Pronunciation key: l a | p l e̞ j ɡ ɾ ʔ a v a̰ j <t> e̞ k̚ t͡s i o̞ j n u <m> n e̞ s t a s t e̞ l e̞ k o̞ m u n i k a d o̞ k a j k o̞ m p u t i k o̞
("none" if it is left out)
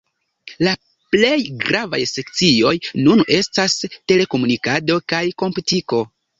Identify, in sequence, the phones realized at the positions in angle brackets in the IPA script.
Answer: s, none

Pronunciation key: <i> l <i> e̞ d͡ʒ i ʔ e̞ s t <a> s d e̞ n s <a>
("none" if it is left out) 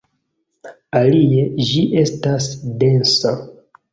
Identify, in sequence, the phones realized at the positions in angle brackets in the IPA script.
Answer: a, i, a, a

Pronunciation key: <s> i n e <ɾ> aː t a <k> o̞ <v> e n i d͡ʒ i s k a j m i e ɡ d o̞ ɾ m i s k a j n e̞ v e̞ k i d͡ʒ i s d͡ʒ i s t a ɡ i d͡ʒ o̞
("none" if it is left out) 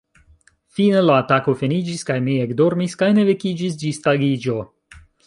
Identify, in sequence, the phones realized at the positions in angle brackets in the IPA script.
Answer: f, l, k, f

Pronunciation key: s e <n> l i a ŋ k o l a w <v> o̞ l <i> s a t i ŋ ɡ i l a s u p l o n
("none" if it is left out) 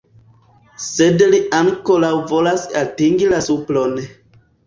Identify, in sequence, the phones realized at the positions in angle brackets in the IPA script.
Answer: d, v, a

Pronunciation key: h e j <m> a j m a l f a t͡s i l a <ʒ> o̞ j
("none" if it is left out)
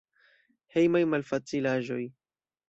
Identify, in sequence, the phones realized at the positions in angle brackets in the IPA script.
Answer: m, ʒ

